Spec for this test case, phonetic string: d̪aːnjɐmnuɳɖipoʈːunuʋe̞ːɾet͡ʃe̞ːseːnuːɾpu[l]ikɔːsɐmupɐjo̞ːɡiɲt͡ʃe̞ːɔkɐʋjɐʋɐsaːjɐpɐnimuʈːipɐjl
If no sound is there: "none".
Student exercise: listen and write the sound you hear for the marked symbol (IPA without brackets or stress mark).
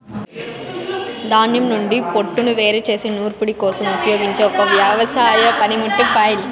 ɽ